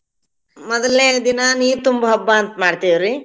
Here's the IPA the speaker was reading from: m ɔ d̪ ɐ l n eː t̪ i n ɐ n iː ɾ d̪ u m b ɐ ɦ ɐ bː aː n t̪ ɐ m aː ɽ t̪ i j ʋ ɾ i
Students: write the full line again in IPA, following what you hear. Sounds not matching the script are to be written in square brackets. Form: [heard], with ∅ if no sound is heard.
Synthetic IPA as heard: m ɔ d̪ ɐ l n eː [d̪] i n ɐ n iː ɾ [t̪] u m b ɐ ɦ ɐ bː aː n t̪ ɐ m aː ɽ t̪ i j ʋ ɾ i